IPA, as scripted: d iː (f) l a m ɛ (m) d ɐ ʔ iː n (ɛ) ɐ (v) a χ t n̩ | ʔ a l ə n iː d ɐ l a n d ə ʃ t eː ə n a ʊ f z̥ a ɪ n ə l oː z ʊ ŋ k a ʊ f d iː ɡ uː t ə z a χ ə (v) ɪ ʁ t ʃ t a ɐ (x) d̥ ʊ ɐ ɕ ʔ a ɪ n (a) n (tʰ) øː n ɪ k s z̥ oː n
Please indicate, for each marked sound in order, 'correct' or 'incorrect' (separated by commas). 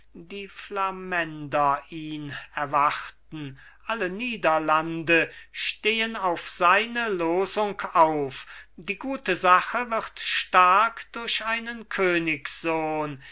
correct, incorrect, correct, correct, correct, incorrect, incorrect, incorrect